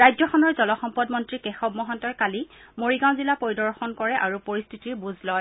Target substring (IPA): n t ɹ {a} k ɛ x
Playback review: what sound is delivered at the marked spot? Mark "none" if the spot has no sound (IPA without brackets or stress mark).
i